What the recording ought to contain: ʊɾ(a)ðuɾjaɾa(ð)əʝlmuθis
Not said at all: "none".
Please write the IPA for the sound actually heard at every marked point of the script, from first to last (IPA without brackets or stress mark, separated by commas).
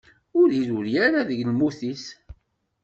i, ð